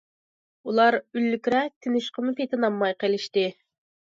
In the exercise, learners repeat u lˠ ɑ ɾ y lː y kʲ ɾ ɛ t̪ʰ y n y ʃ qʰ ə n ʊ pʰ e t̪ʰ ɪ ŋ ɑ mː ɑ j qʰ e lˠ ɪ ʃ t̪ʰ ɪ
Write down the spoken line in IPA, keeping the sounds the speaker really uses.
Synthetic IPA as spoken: u lˠ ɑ ɾ y lː y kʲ ɾ ɛ t̪ʰ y n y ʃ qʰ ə m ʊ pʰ e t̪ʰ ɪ n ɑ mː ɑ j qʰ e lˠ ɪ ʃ t̪ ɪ